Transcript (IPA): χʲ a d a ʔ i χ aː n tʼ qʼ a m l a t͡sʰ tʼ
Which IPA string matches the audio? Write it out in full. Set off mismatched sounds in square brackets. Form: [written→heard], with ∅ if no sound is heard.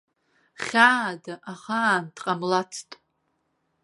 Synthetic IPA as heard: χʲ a d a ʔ [i→a] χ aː n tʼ qʼ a m l a t͡sʰ tʼ